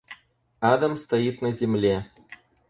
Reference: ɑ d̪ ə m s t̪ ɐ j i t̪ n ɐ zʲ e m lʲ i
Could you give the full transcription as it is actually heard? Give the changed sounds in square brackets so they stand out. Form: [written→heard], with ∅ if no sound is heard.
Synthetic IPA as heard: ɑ d̪ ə m s t̪ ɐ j i t̪ n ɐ zʲ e m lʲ [i→e]